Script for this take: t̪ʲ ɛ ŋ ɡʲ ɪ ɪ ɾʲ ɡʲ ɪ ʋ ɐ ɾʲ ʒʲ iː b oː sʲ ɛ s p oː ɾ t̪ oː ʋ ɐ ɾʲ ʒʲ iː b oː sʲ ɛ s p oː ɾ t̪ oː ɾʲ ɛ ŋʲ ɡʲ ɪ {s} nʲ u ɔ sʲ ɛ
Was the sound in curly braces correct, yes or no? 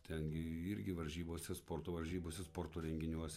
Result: no